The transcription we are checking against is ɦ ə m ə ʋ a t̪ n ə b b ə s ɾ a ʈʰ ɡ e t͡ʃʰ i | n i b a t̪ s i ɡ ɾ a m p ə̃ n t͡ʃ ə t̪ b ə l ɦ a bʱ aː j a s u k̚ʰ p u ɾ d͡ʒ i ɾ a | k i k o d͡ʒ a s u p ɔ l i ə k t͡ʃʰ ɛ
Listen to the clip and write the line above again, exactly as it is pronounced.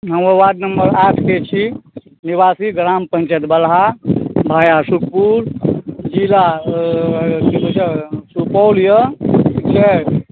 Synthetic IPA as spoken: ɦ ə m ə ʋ a d̪ n ə m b ə ɾ a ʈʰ k e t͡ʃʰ i | n i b a s i ɡ ɾ a m p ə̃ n t͡ʃ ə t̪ b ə l ɦ a bʱ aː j a s u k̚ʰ p u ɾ d͡ʒ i ɾ a | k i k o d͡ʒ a s u p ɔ l j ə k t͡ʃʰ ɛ